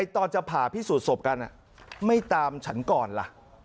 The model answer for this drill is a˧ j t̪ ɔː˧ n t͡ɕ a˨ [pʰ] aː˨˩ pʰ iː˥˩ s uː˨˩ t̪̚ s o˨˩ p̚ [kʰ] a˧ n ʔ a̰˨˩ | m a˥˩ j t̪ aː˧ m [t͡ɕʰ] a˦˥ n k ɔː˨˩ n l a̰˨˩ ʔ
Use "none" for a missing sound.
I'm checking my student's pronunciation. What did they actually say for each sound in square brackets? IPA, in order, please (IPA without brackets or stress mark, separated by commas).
pʰ, k, t͡ɕʰ